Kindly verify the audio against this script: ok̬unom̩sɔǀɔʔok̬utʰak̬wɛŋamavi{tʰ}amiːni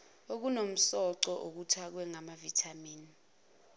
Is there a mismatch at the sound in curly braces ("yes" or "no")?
no